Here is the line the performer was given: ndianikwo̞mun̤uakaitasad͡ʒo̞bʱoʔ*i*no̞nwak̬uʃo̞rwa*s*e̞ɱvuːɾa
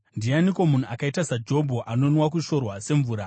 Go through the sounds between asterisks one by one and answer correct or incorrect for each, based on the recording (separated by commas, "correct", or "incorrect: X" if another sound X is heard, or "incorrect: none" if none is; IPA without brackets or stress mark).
incorrect: a, correct